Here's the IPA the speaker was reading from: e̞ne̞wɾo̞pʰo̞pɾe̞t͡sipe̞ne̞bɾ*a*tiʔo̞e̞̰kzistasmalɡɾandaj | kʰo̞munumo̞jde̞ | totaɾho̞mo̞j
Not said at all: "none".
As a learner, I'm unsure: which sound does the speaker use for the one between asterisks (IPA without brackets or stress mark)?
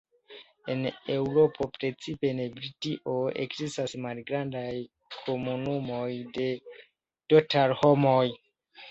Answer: i